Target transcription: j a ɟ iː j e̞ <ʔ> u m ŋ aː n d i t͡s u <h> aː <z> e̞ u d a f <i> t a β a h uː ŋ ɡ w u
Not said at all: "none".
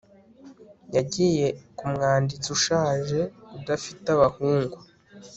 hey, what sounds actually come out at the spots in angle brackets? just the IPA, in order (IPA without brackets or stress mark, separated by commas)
k, ʃ, ʒ, i